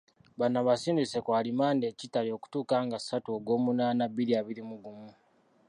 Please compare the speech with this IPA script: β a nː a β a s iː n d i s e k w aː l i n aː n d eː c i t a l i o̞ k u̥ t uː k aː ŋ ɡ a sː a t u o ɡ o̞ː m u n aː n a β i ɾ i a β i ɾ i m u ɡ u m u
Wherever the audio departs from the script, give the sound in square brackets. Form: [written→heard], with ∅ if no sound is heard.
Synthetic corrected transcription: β a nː a β a s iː n d i s e k w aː l i [n→m] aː n d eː c i t a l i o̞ k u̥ t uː k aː ŋ ɡ a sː a t u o ɡ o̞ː m u n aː n a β i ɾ i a β i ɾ i m u ɡ u m u